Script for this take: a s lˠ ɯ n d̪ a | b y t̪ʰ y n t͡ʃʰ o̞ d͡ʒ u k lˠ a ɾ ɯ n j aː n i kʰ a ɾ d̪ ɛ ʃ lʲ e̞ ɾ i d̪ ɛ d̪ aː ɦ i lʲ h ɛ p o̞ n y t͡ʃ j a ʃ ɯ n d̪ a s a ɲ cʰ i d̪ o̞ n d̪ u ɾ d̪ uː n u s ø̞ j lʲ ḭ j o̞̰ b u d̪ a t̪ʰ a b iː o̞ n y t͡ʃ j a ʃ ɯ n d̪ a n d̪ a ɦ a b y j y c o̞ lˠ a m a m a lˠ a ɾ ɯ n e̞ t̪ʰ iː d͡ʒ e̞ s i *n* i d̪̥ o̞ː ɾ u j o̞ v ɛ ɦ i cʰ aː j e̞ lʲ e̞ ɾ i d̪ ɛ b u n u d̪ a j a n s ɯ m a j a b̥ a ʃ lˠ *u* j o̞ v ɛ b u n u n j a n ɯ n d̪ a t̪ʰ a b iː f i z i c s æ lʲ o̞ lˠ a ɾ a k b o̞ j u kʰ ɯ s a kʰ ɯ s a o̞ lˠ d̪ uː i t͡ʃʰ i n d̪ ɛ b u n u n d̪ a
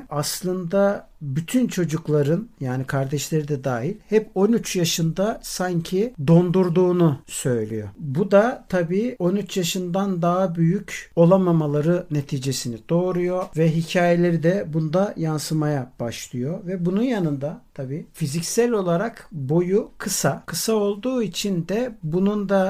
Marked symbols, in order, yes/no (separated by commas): yes, no